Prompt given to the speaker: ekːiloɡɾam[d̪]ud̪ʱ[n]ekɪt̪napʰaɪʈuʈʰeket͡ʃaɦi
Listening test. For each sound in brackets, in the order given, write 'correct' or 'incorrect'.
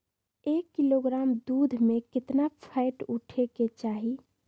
correct, incorrect: m

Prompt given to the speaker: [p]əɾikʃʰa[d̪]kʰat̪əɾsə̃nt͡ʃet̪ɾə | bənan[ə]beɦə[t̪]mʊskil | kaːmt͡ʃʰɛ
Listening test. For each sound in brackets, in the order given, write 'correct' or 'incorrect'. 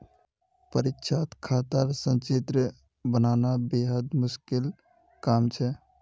correct, incorrect: t̪, incorrect: a, incorrect: d̪

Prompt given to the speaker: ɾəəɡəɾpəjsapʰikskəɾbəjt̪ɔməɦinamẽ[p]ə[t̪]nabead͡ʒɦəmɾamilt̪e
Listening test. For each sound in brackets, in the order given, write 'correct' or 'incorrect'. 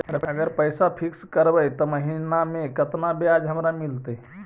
incorrect: k, correct

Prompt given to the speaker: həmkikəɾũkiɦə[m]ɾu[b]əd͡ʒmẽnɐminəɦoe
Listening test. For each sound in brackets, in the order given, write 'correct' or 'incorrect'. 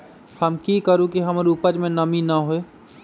correct, incorrect: p

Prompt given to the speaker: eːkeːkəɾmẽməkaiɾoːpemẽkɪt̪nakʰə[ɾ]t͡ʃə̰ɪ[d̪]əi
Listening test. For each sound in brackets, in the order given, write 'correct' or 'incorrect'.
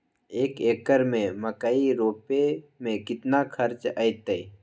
correct, incorrect: t̪

